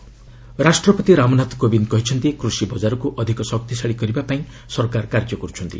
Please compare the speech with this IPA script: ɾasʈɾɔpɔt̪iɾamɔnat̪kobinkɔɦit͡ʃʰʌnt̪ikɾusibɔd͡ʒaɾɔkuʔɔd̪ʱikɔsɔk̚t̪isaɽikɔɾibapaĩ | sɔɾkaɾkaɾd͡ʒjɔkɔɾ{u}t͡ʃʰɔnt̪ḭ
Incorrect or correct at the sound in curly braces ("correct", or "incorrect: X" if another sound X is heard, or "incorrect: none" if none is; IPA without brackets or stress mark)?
correct